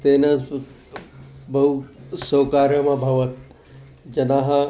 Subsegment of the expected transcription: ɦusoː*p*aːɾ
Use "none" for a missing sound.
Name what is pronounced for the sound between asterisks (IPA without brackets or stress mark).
k